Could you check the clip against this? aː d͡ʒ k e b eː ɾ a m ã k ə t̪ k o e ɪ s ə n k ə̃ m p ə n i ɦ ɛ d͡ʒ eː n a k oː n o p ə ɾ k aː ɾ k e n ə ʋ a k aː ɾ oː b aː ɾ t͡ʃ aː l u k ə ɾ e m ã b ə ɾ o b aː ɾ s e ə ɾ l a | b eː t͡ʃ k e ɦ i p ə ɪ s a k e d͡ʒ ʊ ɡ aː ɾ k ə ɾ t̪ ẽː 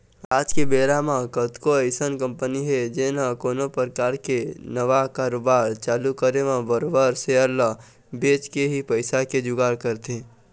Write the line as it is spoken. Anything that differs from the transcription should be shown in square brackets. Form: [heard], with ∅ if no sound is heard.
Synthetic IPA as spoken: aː d͡ʒ k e b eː ɾ a m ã k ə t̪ k o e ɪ s ə n k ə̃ m p ə n i ɦ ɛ d͡ʒ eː n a k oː n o p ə ɾ k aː ɾ k e n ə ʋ a k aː ɾ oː b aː ɾ t͡ʃ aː l u k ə ɾ e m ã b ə ɾ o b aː ɾ s e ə ɾ l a | b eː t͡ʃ k e ɦ i p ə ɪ s a k e d͡ʒ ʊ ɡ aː ɾ k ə ɾ t̪ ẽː

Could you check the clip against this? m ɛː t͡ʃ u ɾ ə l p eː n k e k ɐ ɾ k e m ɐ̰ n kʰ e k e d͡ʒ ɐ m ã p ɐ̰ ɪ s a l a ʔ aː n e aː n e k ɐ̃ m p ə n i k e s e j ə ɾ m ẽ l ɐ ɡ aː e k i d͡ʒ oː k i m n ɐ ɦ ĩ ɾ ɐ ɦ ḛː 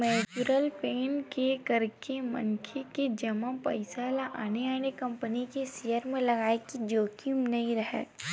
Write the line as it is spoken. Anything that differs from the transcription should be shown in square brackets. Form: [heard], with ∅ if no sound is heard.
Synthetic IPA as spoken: m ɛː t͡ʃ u ɾ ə l p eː n k e k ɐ ɾ k e m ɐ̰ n kʰ e k e d͡ʒ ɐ m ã p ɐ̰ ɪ s a l a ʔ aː n e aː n e k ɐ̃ m p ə n i k e s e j ə ɾ m ẽ l ɐ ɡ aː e k i d͡ʒ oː k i m n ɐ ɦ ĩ ɾ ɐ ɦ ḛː

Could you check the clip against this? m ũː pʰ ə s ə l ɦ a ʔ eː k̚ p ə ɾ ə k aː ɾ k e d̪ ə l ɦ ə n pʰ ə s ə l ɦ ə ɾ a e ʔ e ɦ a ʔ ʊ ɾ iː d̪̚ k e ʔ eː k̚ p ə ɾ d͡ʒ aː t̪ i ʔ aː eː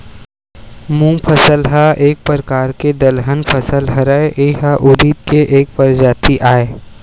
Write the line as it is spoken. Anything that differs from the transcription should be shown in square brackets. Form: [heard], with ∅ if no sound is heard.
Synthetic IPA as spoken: m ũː pʰ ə s ə l ɦ a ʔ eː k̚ p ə ɾ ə k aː ɾ k e d̪ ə l ɦ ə n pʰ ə s ə l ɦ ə ɾ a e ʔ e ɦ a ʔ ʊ ɾ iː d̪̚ k e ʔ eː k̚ p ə ɾ d͡ʒ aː t̪ i ʔ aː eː

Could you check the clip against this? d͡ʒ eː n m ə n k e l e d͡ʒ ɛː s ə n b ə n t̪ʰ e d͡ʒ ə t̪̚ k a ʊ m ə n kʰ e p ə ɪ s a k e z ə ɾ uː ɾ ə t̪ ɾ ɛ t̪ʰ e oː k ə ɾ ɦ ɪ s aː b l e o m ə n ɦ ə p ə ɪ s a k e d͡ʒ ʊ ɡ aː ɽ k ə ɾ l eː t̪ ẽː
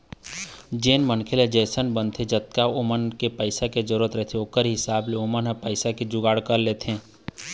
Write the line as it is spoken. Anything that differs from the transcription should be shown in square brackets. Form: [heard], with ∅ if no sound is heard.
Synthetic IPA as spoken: d͡ʒ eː n m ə n [kʰ] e l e d͡ʒ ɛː s ə n b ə n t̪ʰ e d͡ʒ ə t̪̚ k a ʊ m ə n [k] e p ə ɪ s a k e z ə ɾ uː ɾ ə t̪ ɾ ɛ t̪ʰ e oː k ə ɾ ɦ ɪ s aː b l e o m ə n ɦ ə p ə ɪ s a k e d͡ʒ ʊ ɡ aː ɽ k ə ɾ l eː t̪ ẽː

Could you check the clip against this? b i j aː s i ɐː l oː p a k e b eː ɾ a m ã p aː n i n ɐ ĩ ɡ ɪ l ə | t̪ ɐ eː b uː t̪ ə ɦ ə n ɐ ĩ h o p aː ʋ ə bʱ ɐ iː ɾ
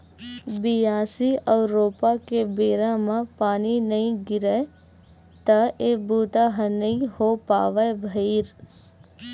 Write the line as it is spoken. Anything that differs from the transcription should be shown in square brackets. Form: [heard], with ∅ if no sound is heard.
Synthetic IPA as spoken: b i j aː s i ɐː [ɾ] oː p a k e b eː ɾ a m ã p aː n i n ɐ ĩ ɡ ɪ [ɾ] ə | t̪ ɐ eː b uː t̪ [a] ɦ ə n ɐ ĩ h o p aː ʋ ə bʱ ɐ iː ɾ

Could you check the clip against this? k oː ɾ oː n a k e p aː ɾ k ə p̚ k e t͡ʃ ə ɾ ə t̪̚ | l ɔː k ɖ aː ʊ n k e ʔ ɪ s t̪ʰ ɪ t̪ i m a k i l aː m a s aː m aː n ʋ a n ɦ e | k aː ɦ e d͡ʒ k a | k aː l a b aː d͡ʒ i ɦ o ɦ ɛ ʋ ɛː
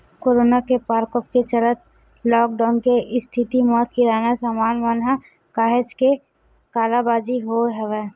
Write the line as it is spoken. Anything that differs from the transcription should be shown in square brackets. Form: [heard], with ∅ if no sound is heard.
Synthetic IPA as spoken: k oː ɾ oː n a k e p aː ɾ k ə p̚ k e t͡ʃ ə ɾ ə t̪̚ | l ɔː k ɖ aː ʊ n k e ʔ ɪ s t̪ʰ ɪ t̪ i m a k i [ɾ] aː [n] a s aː m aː n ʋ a n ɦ [a] | k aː ɦ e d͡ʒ k [e] | k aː l a b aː d͡ʒ i ɦ o ɦ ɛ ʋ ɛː

